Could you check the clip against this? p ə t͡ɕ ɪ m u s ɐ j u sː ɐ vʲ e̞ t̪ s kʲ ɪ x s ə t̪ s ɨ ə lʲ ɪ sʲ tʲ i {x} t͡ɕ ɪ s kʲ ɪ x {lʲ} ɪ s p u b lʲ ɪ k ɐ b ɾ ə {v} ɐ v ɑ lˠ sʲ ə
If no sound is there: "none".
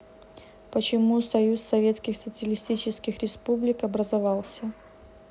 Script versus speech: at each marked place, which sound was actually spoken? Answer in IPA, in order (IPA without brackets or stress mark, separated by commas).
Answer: none, ɾʲ, z